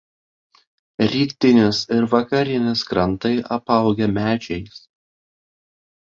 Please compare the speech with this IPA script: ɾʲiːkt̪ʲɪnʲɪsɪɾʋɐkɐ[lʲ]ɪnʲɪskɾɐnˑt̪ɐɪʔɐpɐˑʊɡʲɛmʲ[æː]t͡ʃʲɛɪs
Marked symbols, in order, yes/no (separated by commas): no, yes